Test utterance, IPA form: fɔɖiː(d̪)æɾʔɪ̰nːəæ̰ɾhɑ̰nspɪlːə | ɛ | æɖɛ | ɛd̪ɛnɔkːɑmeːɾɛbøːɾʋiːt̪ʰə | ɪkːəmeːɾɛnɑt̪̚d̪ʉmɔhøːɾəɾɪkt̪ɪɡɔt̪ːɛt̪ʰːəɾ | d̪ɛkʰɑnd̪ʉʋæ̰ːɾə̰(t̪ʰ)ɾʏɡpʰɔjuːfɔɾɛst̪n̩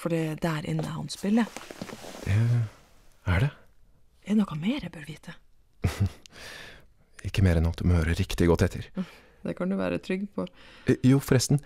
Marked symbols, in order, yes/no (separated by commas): yes, yes